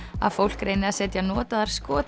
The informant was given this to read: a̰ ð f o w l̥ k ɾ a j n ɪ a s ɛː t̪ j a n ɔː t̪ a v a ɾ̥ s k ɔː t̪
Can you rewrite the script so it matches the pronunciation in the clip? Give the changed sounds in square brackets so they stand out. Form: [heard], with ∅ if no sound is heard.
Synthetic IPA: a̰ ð f o w l̥ k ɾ [e] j n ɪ a s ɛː t̪ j a n ɔː t̪ a [ð] a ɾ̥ s k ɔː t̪